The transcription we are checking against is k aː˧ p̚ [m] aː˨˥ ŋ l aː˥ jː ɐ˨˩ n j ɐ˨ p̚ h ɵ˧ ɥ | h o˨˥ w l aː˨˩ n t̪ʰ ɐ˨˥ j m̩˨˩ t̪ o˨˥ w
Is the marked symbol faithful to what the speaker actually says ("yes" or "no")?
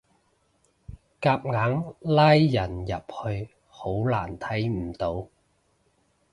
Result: no